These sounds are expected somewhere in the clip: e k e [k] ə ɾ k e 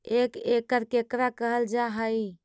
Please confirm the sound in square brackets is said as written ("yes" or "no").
yes